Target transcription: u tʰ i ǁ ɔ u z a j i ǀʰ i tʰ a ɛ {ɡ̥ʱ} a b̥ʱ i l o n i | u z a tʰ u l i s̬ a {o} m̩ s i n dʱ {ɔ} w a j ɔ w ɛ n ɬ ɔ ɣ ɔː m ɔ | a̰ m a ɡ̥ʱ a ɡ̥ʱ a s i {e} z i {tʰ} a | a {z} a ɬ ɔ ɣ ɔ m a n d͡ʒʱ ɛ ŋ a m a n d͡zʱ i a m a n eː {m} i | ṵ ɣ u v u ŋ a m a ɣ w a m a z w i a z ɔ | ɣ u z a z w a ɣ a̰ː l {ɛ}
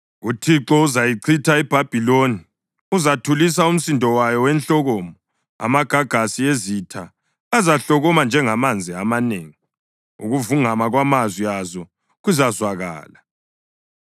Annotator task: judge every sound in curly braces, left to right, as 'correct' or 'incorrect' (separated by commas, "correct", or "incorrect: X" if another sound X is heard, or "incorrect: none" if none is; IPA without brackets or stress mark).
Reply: incorrect: b̥ʱ, incorrect: u, correct, correct, correct, correct, incorrect: ŋ, incorrect: a